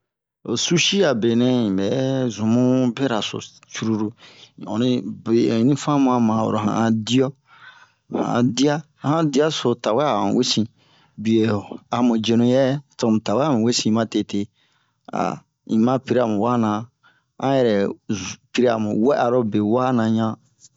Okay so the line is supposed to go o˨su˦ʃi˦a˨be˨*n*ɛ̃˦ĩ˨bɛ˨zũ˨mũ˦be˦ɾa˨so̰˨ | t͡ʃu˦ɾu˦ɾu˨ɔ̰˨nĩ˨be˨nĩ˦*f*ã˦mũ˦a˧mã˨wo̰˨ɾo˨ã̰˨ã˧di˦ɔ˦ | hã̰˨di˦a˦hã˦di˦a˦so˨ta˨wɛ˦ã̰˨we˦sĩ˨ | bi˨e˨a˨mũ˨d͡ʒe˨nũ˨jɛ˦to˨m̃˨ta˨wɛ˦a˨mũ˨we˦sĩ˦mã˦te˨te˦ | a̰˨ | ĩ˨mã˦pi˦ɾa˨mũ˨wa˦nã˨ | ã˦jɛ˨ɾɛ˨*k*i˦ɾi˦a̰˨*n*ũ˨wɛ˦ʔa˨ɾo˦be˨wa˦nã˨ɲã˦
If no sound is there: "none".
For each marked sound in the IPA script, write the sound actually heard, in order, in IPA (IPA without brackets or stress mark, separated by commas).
n, f, p, m